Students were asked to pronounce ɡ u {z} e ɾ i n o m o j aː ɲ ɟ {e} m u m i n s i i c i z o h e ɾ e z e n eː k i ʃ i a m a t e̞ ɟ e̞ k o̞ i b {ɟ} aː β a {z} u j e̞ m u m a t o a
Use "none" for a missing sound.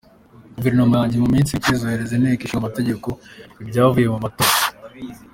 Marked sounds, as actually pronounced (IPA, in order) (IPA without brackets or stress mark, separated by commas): v, e, ɟ, v